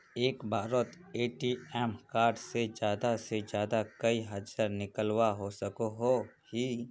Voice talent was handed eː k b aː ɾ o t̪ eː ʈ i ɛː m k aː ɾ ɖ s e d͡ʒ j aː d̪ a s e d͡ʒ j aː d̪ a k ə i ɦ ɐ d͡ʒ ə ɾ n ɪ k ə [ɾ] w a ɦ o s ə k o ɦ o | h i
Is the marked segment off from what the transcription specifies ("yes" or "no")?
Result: yes